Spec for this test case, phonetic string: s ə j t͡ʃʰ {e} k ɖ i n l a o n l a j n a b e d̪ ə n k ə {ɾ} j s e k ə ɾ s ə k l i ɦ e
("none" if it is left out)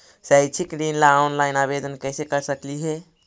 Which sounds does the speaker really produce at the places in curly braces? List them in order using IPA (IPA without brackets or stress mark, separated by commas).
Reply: i, none